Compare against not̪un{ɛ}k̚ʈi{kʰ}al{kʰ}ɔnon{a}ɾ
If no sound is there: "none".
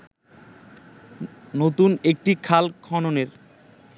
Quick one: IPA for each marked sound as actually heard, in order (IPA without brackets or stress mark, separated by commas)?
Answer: e, kʰ, kʰ, e